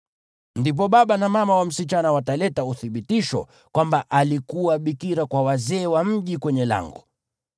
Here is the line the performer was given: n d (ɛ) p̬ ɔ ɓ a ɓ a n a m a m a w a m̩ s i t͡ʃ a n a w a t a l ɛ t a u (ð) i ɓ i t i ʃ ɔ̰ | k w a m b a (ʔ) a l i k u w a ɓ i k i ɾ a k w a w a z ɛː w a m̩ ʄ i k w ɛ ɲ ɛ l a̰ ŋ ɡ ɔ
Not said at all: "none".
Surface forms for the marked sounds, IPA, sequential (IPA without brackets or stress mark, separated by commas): i, θ, ʔ